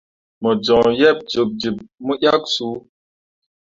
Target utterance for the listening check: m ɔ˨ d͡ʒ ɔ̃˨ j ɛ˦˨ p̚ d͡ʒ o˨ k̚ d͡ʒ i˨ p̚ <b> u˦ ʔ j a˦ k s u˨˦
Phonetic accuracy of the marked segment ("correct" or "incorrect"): incorrect